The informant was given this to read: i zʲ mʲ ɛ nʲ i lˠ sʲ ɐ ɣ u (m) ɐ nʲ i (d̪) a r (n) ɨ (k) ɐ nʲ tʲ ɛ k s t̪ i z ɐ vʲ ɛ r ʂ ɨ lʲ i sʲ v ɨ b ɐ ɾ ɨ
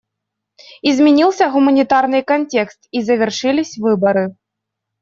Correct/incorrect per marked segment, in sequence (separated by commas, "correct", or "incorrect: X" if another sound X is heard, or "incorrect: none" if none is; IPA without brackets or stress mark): correct, incorrect: t̪, correct, correct